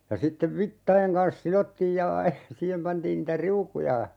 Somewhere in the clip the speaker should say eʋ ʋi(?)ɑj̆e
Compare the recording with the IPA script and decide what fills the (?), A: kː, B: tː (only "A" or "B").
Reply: B